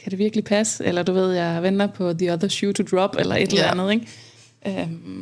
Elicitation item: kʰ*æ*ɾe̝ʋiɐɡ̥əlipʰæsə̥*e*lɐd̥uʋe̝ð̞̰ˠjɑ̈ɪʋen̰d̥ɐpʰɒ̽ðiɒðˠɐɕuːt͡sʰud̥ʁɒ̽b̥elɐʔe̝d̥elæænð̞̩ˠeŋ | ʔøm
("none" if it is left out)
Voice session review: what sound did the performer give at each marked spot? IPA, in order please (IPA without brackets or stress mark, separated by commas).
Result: æ, e